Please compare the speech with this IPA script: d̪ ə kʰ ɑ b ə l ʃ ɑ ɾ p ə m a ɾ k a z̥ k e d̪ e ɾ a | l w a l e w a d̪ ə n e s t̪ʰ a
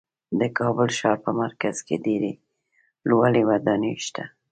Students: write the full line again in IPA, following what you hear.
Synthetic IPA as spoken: d̪ ə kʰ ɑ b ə l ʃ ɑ ɾ p ə m a ɾ k a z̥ k e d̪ e ɾ e | l w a l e w a d̪ ɑ n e ʃ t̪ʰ a